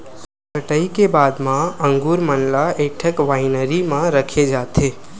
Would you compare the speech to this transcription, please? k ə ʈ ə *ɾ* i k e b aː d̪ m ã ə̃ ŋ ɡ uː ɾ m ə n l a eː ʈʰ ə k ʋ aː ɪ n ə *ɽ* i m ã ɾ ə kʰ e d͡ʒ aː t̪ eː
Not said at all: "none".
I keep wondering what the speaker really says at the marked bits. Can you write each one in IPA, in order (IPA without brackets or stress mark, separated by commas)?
none, ɾ